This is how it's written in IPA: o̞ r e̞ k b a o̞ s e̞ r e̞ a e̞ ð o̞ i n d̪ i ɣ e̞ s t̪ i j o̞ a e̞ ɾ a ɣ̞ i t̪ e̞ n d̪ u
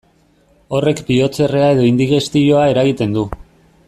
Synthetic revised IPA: o̞ r e̞ k b i o̞ t͡s e̞ r e̞ a e̞ ð o̞ i n d̪ i ɣ e̞ s t̪ i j o̞ a e̞ ɾ a ɣ̞ i t̪ e̞ n d̪ u